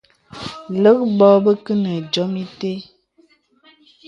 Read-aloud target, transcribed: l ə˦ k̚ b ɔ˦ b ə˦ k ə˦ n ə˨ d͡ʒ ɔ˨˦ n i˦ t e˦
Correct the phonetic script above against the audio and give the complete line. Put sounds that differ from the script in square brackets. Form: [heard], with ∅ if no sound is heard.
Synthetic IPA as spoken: l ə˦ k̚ b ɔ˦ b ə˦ k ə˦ n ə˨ d͡ʒ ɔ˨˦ [m] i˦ t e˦

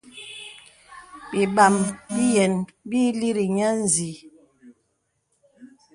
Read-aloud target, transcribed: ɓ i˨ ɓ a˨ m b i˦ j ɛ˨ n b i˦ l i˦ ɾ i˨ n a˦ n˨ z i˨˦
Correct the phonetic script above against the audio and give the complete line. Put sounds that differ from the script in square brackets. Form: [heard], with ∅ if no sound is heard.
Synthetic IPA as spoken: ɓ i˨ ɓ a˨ m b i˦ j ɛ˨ n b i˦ l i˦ ɾ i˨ [ɲ] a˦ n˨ z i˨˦

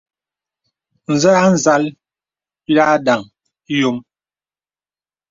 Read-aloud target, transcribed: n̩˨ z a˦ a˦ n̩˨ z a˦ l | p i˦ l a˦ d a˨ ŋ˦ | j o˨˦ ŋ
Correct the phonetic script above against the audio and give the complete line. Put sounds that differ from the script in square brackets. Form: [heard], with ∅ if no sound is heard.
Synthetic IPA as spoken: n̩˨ z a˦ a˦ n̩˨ z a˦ l | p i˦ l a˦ d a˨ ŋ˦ | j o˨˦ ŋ

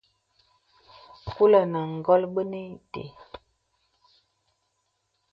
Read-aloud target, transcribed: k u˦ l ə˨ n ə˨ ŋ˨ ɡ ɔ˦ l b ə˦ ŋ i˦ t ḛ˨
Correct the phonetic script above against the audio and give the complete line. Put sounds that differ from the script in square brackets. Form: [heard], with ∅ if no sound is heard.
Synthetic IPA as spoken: k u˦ l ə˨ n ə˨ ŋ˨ ɡ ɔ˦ l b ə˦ [n] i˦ t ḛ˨

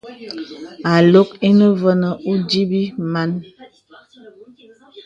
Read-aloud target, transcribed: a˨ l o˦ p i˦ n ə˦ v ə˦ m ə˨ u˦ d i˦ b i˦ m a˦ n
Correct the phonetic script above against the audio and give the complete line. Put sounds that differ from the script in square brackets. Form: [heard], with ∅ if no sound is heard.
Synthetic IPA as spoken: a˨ l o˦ [k] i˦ n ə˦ v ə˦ [n] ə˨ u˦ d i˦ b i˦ m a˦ n

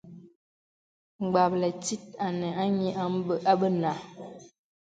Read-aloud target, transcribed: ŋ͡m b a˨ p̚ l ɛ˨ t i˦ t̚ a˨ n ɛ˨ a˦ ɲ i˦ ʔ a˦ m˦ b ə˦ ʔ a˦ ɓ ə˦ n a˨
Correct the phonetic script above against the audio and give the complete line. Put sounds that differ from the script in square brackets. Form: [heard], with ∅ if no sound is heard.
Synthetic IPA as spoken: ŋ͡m [ɡ͡b] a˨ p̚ l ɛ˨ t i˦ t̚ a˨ n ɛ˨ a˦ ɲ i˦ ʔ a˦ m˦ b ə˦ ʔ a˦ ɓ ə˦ n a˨

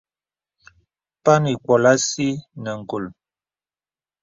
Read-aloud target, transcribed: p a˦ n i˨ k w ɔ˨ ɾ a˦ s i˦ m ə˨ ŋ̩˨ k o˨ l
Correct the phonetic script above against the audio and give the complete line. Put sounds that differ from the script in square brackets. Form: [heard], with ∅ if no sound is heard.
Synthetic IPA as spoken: p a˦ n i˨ k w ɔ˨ [l] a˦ s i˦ [n] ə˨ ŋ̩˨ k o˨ l

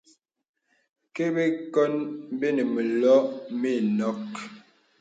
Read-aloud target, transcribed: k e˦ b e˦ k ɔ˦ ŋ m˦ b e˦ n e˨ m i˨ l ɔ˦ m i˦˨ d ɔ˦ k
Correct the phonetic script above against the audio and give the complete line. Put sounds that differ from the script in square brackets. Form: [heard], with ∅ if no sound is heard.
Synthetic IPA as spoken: k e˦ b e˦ k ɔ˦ [n] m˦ b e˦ n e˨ m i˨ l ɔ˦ m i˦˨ [n] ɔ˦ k

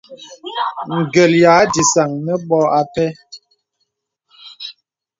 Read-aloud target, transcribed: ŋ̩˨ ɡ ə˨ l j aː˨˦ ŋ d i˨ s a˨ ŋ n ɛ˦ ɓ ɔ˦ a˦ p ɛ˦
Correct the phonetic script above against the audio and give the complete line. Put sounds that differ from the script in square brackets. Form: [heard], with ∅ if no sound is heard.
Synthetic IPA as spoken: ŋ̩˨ ɡ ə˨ l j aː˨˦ [∅] d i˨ s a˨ ŋ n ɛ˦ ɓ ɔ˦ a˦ p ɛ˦

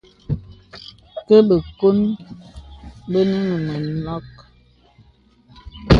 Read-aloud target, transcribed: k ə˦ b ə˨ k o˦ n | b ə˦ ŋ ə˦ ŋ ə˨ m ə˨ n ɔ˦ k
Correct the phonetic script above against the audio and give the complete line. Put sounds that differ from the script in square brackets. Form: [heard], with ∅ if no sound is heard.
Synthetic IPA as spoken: k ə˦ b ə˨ k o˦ n | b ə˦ [n] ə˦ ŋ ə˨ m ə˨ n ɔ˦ k

